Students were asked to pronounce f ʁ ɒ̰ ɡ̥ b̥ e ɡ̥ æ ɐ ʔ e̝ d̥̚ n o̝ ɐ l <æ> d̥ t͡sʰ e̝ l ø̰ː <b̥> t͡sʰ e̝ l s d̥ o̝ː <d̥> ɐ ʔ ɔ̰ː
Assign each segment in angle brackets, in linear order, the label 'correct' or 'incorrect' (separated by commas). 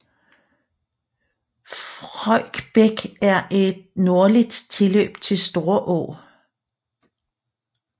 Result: incorrect, correct, incorrect